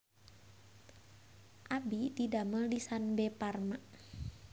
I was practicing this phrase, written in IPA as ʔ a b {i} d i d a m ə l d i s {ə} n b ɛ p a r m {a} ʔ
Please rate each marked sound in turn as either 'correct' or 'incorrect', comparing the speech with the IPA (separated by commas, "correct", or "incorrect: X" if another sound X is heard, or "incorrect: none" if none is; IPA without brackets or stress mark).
correct, incorrect: a, correct